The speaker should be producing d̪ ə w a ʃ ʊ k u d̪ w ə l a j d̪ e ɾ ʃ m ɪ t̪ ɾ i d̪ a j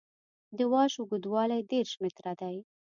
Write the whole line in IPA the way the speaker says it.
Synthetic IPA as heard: d̪ ə w ɑ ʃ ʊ ɡ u d̪ w ɑ l a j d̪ e ɾ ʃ m ɪ t̪ ɾ a d̪ a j